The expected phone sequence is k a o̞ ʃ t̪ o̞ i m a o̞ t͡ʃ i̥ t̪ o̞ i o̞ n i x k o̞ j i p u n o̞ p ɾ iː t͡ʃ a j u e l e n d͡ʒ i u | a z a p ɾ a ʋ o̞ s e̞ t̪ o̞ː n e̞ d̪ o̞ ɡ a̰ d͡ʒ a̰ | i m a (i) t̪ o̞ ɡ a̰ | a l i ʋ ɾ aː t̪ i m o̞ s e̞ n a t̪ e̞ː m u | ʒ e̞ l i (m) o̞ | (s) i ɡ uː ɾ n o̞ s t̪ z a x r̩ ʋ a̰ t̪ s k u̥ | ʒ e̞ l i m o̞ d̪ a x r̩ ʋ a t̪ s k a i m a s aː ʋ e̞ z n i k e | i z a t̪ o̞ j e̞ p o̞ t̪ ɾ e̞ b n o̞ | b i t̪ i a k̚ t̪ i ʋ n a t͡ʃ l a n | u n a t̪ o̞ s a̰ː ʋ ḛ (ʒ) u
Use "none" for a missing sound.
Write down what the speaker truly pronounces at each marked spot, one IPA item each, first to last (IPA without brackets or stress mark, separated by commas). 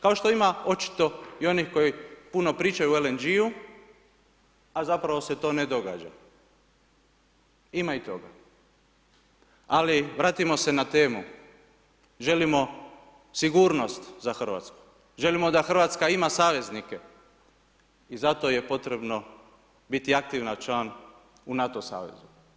i, m, s, z